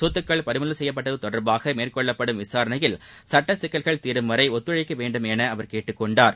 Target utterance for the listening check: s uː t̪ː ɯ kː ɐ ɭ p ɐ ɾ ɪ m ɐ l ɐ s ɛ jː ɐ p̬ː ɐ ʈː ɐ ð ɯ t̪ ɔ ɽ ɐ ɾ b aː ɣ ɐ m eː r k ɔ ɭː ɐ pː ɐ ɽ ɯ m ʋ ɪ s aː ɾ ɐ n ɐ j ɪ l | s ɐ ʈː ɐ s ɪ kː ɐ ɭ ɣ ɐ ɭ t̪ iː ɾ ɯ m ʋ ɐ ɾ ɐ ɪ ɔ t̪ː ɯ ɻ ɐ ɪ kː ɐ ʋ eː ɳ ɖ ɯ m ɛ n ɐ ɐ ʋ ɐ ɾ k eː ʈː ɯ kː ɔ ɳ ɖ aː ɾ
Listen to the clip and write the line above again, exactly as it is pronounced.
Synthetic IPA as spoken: s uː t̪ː ɯ kː ɐ ɭ p ɐ ɾ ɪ m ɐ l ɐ s ɛ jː ɐ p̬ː ɐ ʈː ɐ ð ɯ t̪ ɔ ɽ ɐ ɾ b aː ɣ ɐ m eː r k ɔ ɭː ɐ pː ɐ ɽ ɯ m ʋ ɪ s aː ɾ ɐ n ɐ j ɪ l | s ɐ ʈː ɐ s ɪ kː ɐ ɭ ɣ ɐ ɭ t̪ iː ɾ ɯ m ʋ ɐ ɾ ɐ ɪ ɔ t̪ː ɯ ɻ ɐ ɪ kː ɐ ʋ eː ɳ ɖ ɯ m ɛ n ɐ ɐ ʋ ɐ ɾ k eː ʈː ɯ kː ɔ ɳ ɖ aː ɾ